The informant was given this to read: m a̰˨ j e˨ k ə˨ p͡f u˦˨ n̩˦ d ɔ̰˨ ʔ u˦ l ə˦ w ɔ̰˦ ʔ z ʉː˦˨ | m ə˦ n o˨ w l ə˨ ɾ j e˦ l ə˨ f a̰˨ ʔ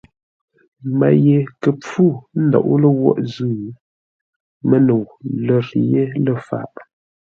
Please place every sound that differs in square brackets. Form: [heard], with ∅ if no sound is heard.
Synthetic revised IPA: m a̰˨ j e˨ k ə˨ p͡f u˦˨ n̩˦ d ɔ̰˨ ʔ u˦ l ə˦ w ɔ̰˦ ʔ z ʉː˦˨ | m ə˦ n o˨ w l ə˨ ɾ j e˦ l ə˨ f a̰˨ ʔ